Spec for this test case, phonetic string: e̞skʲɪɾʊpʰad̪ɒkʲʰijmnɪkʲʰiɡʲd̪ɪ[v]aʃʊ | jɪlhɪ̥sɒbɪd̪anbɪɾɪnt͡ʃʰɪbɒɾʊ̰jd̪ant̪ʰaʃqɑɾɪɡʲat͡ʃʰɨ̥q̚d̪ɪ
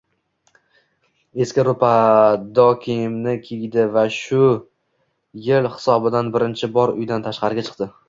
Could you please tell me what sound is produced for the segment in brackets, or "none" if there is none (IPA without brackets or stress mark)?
v